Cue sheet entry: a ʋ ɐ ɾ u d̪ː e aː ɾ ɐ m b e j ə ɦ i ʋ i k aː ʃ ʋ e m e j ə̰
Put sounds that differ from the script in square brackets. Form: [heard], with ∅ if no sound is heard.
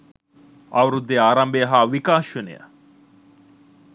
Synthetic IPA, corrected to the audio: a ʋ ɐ ɾ u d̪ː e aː ɾ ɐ m b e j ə ɦ [a] ʋ i k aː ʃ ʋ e [n] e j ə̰